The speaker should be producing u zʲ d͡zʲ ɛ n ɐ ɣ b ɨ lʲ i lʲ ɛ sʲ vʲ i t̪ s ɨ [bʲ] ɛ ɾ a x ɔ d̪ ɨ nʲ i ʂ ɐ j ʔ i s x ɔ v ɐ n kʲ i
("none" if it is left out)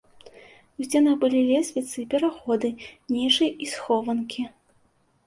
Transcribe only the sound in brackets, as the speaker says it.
pʲ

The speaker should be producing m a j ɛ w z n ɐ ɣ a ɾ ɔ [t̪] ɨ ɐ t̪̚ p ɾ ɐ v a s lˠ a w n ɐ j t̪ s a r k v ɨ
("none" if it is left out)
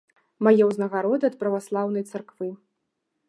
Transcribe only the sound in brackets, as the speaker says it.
d̪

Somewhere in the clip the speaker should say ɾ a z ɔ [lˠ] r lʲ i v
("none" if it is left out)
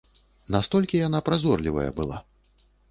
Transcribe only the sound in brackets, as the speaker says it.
none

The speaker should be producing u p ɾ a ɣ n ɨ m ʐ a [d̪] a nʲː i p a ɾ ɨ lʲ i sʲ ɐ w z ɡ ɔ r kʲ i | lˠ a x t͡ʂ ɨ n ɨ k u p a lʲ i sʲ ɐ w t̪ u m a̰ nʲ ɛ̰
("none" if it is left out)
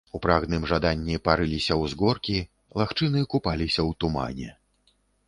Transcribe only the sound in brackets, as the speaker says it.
d̪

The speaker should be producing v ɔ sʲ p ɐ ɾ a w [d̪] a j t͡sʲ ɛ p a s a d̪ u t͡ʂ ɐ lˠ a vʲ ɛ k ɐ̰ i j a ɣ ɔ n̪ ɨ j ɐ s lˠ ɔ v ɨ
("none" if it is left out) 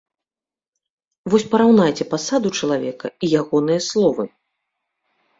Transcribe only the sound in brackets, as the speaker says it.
n̪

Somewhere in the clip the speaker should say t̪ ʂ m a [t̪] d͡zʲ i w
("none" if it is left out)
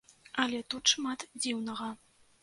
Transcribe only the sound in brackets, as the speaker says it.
t̪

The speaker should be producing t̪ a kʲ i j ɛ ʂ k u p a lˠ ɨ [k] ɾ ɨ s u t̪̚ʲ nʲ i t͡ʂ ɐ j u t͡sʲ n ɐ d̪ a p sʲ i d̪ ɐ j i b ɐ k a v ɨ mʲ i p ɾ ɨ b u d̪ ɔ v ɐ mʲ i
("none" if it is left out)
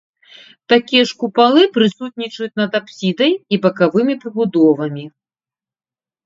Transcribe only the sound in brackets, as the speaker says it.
p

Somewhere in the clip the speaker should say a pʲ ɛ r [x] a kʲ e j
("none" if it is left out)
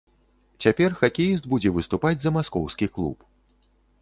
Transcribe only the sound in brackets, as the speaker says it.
x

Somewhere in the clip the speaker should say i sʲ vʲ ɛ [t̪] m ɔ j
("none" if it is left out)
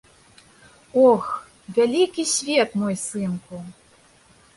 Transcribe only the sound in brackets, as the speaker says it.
t̪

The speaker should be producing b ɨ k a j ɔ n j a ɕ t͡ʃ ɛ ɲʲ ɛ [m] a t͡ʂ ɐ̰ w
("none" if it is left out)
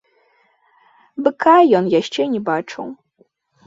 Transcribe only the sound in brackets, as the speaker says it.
b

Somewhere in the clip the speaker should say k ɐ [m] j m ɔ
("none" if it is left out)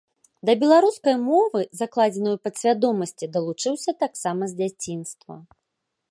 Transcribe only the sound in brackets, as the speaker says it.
none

